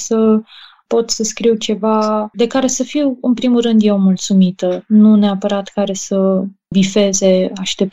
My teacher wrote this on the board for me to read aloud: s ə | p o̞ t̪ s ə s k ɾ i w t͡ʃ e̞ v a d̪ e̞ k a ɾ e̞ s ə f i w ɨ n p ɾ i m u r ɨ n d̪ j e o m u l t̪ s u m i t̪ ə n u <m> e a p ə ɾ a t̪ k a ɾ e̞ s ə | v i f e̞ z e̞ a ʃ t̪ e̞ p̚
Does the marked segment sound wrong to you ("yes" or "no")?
yes